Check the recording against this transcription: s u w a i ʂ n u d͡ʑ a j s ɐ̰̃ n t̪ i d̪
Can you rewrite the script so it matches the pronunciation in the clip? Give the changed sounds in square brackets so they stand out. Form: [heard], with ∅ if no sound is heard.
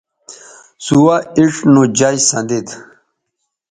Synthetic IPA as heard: s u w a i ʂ n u d͡ʑ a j s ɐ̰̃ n [d̪] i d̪

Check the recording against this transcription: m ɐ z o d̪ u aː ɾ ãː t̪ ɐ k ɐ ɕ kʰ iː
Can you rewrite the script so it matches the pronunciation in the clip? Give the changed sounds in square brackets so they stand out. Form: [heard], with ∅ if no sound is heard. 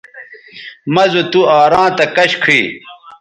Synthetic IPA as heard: m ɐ z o [t̪] u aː ɾ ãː t̪ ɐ k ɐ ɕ kʰ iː

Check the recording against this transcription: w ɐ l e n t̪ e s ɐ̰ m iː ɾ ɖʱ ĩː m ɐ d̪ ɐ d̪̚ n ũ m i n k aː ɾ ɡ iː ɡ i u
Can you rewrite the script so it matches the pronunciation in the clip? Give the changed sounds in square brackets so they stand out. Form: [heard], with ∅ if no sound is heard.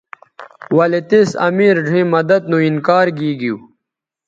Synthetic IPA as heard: w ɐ l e [∅] t̪ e s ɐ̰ m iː ɾ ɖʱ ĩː m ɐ d̪ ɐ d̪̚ n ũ [∅] i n k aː ɾ ɡ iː ɡ i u

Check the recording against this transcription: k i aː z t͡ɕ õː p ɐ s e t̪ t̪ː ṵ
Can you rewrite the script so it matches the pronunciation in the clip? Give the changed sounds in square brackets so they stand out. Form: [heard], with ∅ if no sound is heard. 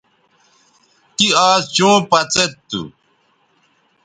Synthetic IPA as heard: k i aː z t͡ɕ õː p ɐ [t͡s] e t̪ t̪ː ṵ

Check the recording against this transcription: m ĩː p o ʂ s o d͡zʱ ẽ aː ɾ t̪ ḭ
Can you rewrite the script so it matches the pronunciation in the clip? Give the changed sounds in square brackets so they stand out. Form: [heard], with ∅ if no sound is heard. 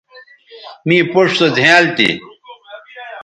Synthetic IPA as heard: m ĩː p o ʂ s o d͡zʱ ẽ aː [l] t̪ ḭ

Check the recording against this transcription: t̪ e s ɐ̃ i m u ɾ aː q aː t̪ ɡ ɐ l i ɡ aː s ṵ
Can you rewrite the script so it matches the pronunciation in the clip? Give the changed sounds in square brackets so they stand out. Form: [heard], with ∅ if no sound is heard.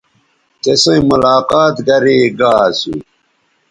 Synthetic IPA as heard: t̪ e s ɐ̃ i m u [l] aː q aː t̪ ɡ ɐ [ɾ] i ɡ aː s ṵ

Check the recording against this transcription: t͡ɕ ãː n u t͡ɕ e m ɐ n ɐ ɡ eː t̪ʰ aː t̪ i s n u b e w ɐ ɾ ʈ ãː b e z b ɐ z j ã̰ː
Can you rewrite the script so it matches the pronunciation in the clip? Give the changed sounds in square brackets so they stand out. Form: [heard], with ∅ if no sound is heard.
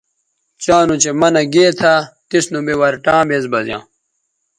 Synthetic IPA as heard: t͡ɕ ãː n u t͡ɕ e m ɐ n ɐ ɡ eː t̪ʰ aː t̪ i s n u b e w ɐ ɾ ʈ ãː b e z b ɐ z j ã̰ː

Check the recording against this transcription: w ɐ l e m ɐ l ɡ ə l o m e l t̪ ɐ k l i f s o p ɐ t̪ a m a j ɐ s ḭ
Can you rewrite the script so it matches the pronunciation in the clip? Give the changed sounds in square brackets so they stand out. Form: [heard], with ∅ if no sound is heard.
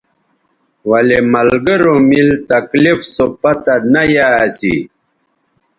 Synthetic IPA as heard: w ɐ l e m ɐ l ɡ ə [ɾ] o m [i] l t̪ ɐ k l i f s o p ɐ t̪ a [n] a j [a] s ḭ

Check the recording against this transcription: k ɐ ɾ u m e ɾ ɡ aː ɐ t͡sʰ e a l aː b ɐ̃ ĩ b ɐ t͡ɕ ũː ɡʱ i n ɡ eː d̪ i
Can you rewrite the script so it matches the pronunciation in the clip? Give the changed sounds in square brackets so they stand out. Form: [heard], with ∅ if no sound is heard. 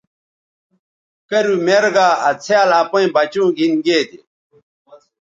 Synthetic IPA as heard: k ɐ ɾ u m e ɾ ɡ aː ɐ t͡sʰ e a l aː [p] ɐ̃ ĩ b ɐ t͡ɕ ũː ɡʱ i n ɡ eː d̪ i

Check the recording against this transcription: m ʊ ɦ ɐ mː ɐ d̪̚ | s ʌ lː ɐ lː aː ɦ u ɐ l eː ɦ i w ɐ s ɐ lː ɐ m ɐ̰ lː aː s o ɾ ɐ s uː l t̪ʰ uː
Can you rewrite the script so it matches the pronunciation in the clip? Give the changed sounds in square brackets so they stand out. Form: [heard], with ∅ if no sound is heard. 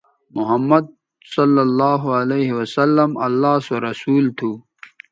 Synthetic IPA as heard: m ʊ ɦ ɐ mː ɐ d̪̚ | s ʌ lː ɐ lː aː ɦ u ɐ l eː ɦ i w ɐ s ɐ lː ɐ m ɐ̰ lː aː s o ɾ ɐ s uː l t̪ʰ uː

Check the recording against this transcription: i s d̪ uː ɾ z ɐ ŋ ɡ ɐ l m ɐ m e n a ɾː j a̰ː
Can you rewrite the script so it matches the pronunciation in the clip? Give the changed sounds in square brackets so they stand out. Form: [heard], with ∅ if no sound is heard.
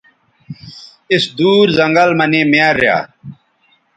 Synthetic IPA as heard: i s d̪ uː ɾ z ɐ ŋ ɡ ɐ l m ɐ [n] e [m] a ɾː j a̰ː

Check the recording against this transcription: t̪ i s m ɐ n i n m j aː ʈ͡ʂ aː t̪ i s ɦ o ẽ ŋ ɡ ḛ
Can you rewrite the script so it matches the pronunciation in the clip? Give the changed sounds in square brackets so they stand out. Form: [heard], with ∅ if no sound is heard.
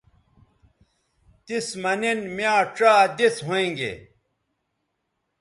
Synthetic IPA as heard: t̪ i s m ɐ n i n m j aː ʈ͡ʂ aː [d̪] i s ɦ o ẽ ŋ ɡ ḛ

